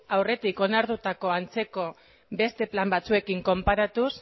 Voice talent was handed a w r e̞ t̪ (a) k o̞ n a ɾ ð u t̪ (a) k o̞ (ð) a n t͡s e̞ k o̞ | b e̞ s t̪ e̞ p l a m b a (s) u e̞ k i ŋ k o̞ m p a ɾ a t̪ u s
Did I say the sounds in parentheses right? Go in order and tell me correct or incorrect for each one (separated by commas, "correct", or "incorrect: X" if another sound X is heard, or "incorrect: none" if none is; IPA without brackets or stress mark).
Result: incorrect: i, correct, incorrect: none, incorrect: t͡s